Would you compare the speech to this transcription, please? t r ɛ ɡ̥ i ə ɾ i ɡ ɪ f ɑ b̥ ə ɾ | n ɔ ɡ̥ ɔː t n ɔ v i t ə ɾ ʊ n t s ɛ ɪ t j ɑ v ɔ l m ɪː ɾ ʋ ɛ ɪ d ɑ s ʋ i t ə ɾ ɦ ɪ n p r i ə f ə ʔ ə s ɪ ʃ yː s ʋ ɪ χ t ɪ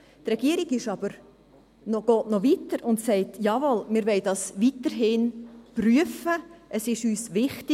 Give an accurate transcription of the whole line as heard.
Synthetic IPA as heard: t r ɛ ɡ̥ i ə ɾ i ɡ ɪ ʃ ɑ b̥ ə ɾ | n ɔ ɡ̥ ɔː t n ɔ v i t ə ɾ ʊ n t s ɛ ɪ t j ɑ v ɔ l m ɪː ɾ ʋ ɛ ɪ d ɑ s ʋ i t ə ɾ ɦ ɪ n p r y ə f ə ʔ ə s ɪ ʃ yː s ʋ ɪ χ t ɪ